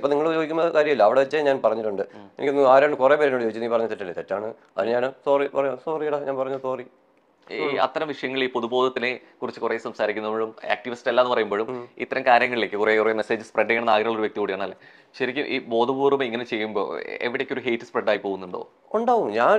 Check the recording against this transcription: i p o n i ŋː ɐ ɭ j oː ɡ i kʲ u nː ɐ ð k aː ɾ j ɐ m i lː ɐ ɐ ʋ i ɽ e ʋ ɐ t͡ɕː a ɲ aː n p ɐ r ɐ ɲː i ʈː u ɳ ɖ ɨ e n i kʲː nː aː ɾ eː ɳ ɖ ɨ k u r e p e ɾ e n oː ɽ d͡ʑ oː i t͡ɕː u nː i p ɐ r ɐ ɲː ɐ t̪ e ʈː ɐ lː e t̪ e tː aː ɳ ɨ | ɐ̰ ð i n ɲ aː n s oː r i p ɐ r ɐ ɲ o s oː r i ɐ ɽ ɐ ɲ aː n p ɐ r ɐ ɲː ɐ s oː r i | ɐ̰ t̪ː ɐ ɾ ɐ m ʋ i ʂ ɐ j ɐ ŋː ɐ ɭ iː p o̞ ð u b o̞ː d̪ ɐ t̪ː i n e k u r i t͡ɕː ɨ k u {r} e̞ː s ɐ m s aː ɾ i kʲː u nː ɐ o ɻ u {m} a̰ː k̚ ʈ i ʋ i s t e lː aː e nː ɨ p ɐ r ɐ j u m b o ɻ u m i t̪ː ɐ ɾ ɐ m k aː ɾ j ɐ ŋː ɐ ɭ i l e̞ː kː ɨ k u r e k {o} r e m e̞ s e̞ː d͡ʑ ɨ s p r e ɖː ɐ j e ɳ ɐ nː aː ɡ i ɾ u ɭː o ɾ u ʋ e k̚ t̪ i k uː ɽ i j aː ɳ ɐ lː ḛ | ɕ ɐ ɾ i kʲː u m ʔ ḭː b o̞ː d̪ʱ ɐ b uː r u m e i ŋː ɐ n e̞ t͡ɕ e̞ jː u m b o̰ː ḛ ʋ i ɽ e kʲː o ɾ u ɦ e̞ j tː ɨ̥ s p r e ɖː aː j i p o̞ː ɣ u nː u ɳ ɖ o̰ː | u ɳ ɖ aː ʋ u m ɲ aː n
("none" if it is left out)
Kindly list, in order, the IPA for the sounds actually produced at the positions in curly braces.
r, m, u

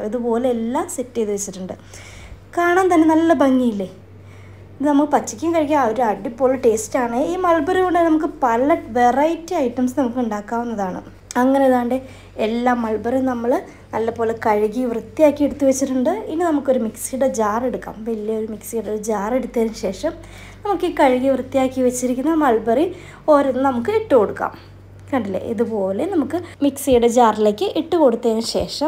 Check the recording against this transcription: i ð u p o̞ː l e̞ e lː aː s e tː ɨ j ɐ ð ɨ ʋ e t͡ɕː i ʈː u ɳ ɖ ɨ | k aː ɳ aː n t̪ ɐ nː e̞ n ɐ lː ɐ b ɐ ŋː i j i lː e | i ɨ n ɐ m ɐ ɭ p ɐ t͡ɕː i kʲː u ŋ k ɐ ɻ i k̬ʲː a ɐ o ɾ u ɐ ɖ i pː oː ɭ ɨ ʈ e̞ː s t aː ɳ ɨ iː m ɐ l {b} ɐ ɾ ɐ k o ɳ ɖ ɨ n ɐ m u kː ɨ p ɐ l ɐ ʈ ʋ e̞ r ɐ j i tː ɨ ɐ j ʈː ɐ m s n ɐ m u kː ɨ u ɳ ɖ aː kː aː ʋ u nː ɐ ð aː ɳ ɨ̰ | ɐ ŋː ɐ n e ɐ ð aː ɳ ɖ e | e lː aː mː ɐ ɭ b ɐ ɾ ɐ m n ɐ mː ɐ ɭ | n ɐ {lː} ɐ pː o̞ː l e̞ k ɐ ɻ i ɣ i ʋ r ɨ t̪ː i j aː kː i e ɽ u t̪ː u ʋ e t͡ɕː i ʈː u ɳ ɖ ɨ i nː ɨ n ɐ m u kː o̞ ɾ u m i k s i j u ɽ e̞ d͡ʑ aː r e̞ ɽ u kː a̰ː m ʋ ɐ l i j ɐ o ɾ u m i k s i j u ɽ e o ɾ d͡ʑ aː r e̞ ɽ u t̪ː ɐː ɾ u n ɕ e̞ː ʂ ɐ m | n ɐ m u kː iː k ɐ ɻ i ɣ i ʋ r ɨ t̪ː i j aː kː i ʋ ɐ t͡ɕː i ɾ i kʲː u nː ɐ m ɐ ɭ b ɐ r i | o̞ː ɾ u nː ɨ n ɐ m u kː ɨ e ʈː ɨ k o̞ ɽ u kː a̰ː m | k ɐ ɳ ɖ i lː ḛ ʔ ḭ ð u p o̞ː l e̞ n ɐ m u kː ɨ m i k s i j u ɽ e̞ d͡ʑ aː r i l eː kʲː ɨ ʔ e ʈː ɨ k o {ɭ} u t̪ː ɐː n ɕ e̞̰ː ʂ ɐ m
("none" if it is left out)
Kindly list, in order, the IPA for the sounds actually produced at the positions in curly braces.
b, lː, ɽ

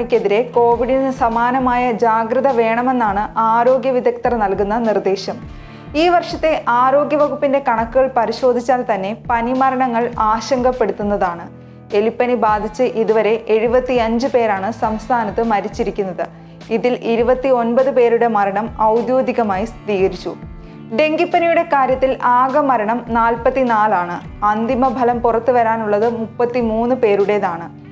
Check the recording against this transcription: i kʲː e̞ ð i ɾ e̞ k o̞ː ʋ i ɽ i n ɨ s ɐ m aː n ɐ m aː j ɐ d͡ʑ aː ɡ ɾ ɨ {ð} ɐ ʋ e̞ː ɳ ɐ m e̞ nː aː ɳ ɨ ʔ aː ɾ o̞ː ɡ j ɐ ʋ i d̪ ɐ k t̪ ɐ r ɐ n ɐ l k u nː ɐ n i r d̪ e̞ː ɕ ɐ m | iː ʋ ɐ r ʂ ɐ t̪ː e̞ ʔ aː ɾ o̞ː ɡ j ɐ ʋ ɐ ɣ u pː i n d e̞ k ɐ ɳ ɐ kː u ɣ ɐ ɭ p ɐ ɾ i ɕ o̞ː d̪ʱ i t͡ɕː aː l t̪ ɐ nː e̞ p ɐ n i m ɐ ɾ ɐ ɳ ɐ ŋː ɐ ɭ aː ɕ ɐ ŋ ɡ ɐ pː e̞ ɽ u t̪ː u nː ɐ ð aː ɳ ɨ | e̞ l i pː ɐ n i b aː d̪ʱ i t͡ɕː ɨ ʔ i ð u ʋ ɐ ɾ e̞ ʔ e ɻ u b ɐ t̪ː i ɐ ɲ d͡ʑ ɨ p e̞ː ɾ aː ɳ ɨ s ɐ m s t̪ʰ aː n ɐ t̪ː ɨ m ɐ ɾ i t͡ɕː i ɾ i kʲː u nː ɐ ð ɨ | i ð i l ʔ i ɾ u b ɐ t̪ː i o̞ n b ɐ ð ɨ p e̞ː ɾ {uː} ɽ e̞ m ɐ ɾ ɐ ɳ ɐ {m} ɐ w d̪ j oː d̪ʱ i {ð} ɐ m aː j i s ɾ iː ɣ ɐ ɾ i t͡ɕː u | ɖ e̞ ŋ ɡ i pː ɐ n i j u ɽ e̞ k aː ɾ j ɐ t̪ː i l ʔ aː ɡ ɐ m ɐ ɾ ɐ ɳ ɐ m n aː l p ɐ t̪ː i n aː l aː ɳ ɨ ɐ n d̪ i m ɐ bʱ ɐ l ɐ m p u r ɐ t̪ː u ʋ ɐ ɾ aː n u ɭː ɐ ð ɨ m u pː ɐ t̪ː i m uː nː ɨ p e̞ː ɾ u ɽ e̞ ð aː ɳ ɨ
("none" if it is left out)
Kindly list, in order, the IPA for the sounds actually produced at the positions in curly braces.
ð, u, m, ɣ

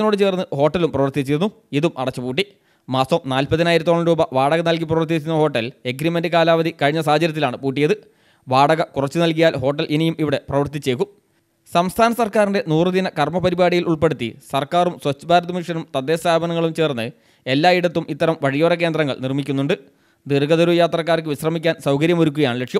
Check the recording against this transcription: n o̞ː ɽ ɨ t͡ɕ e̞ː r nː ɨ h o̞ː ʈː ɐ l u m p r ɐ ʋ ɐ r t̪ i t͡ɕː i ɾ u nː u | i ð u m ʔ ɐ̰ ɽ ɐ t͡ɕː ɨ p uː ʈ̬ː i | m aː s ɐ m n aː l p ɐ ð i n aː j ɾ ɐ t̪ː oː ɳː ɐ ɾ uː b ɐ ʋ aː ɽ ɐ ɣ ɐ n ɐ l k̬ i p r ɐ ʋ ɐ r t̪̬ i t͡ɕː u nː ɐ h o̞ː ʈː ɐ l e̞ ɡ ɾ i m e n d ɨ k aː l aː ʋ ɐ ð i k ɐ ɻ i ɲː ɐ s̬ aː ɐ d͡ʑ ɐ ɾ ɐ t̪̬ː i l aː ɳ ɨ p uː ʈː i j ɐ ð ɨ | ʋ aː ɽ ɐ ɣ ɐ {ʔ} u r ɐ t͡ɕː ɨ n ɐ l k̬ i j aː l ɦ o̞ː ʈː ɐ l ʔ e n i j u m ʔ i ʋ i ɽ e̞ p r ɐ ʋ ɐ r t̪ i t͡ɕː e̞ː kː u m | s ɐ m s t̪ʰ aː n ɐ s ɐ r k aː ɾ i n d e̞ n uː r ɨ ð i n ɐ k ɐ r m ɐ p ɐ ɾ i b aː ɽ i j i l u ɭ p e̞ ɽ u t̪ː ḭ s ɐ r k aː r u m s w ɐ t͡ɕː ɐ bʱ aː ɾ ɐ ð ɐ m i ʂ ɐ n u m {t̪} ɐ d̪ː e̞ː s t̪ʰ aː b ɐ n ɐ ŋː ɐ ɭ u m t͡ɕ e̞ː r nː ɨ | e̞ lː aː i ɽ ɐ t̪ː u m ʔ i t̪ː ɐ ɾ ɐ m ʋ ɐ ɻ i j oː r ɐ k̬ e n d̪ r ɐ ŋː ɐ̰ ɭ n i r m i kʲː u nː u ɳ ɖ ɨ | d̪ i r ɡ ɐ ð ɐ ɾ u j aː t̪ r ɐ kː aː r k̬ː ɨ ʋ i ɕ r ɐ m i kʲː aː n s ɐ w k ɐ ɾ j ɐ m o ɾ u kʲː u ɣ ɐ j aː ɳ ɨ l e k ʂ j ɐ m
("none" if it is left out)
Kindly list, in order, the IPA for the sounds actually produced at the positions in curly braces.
k, t̪

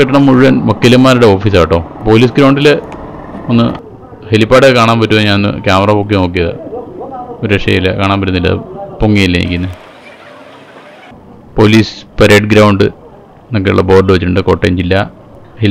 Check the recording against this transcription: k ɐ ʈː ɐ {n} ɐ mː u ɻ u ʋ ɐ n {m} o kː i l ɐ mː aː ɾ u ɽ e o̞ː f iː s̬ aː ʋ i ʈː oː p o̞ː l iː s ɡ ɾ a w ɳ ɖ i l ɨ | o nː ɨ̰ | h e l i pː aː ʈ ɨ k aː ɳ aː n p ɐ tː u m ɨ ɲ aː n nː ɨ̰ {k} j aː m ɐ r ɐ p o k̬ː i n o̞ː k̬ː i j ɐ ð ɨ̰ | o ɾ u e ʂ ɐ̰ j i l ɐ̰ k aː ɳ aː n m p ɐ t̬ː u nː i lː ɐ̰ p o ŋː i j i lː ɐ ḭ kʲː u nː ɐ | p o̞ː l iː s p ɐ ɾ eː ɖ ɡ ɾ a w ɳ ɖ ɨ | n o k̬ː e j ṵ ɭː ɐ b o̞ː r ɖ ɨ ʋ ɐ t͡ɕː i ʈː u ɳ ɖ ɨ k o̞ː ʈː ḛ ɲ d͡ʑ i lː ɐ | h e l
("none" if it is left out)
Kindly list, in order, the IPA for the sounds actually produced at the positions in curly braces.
ɳ, m, k

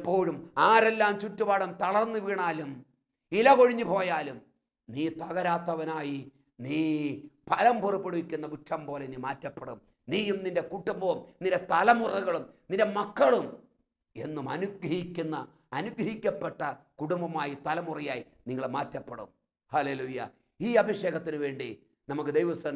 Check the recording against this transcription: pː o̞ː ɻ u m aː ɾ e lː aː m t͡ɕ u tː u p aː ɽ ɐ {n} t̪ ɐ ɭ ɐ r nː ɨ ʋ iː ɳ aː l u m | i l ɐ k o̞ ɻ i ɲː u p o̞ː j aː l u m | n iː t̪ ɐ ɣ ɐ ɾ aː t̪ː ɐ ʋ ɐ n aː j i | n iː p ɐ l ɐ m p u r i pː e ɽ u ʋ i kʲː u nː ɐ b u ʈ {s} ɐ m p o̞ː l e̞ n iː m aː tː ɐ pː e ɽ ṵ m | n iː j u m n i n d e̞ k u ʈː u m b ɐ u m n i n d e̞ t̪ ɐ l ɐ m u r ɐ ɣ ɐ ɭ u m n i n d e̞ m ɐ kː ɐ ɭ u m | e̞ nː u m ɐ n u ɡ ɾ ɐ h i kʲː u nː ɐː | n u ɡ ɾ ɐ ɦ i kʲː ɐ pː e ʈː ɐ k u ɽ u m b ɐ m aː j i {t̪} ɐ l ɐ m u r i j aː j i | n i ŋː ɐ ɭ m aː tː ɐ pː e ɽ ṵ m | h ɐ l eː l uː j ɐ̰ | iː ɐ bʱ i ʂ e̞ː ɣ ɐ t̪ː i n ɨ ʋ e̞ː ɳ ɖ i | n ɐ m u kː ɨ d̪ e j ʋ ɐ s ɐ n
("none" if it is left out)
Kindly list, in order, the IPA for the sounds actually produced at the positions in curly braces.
m, ʂ, t̪

